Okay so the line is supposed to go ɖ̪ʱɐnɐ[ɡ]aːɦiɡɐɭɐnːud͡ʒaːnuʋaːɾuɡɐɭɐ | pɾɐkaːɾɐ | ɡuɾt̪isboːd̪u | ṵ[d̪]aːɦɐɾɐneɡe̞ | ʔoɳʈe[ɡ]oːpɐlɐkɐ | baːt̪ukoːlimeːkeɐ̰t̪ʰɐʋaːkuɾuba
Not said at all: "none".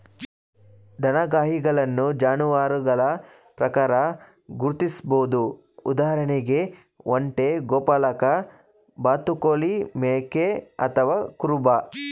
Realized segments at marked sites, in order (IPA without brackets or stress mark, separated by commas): ɡ, d̪, ɡ